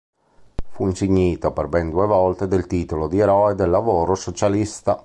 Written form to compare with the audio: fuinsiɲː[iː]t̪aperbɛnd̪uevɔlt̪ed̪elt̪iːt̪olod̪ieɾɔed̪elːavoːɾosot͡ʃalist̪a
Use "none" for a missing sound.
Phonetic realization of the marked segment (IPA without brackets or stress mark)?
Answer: iː